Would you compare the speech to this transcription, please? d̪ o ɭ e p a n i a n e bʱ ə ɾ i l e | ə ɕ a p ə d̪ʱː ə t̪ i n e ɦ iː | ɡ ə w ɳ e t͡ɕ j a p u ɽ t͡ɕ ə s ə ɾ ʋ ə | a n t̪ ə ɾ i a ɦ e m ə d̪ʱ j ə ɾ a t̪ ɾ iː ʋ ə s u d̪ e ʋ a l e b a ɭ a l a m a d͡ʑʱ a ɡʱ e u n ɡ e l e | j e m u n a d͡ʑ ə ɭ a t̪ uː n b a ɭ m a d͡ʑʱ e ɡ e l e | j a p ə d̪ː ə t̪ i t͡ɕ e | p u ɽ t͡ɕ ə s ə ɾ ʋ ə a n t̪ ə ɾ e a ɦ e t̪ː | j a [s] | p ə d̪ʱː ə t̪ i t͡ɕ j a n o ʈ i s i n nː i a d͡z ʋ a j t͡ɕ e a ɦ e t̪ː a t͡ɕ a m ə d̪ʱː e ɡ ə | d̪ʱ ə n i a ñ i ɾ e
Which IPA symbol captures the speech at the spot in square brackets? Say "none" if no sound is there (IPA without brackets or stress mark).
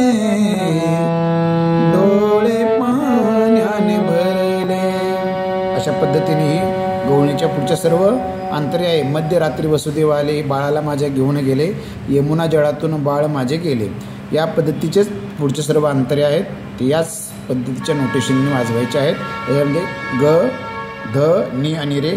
t͡s